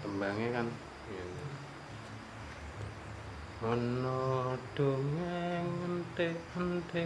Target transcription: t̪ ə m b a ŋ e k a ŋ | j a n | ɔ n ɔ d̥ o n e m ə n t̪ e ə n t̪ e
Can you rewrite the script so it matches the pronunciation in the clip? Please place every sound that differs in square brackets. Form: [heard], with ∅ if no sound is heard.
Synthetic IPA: t̪ ə m b a ŋ e k a [n] | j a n | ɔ n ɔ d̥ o [ŋ] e [ŋ] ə n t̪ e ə n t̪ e